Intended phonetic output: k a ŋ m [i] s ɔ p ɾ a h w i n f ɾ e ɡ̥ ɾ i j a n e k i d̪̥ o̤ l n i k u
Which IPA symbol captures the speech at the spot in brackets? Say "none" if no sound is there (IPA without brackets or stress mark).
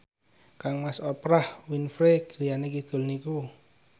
a